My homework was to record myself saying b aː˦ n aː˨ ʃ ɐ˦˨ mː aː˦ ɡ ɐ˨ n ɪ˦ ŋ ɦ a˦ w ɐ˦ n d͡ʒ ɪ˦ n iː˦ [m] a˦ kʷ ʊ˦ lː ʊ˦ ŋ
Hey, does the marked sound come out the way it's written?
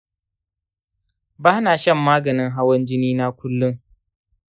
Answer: no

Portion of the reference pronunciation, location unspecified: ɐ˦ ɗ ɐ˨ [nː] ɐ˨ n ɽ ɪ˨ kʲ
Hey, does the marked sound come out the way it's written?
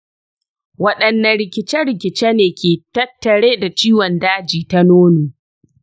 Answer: yes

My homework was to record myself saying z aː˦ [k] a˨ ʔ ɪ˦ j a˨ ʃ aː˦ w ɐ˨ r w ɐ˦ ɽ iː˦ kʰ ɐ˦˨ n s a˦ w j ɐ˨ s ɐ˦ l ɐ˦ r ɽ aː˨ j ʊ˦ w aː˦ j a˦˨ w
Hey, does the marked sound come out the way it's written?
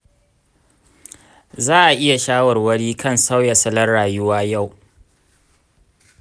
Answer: no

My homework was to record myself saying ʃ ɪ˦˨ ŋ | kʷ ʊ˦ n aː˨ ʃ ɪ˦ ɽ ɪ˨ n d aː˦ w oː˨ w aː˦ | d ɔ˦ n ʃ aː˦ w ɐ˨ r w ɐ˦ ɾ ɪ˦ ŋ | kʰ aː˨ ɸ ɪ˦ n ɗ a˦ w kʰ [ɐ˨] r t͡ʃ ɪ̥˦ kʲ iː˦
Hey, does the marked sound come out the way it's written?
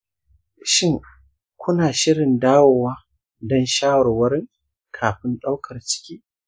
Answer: yes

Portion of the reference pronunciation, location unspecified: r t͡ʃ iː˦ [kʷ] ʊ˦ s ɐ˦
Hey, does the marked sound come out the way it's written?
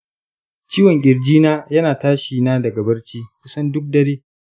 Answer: yes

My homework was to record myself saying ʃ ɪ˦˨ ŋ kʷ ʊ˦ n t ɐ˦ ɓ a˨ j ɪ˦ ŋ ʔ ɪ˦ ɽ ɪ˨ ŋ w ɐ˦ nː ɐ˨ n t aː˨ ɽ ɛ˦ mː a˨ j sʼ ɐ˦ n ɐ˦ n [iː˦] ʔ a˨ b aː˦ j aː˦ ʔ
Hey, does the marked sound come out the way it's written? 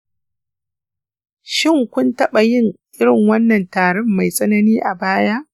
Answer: yes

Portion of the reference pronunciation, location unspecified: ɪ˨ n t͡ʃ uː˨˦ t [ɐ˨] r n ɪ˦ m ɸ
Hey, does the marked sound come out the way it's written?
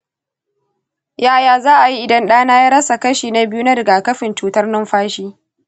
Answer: no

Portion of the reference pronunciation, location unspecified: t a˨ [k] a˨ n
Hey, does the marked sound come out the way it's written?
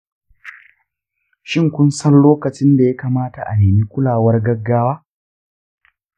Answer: no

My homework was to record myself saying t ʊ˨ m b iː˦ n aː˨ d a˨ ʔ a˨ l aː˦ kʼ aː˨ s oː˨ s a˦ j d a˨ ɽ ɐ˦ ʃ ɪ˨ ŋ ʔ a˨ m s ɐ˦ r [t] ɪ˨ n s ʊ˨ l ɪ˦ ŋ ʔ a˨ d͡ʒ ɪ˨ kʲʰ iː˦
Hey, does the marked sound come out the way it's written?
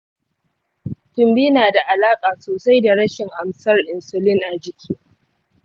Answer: no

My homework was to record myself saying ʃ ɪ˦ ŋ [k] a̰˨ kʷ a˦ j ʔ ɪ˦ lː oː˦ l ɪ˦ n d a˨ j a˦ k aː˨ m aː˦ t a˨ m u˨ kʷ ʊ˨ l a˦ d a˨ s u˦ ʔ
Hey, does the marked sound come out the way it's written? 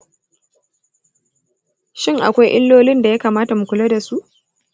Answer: no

